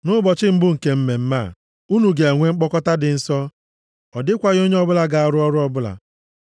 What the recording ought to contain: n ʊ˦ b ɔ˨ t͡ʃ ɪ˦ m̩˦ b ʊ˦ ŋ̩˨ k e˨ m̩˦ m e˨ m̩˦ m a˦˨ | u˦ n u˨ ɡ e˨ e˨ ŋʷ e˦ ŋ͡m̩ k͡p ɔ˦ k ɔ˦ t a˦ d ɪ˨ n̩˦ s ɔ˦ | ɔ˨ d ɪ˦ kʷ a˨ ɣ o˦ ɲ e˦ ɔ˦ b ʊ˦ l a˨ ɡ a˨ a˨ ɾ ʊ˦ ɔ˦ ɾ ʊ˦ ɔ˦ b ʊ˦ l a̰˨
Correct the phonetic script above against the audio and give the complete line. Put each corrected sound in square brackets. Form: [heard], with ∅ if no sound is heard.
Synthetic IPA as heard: n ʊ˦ b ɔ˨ t͡ʃ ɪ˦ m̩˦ b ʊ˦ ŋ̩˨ k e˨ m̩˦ m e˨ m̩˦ m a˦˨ | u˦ n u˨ ɡ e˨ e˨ ŋʷ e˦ ŋ͡m̩ k͡p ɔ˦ k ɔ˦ t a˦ d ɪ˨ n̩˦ s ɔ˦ | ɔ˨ d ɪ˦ kʷ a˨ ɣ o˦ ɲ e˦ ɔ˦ b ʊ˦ l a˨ ɡ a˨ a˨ ɾ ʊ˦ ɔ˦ ɾ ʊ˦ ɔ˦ b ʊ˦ l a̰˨